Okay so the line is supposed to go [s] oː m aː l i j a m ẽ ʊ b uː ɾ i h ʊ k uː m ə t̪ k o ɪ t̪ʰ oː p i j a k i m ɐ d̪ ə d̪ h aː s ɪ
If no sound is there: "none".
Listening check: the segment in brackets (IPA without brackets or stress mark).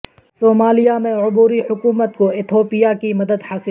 s